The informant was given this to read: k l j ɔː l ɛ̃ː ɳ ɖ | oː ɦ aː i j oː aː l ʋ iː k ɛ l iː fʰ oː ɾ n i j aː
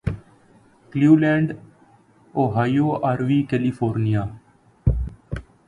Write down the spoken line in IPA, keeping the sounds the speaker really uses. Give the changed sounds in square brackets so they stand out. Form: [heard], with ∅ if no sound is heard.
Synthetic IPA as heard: k l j [uː] l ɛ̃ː ɳ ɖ | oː ɦ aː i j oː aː [ɾ] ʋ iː k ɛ l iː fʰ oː ɾ n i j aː

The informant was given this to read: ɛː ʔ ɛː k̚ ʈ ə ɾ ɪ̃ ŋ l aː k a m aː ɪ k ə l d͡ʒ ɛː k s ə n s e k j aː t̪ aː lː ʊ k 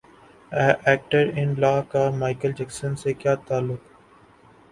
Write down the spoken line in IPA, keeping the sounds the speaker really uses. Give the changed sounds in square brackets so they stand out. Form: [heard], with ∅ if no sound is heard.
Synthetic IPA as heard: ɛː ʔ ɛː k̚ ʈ ə ɾ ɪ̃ [n] l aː k a m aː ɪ k ə l d͡ʒ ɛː k s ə n s e k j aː t̪ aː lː ʊ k

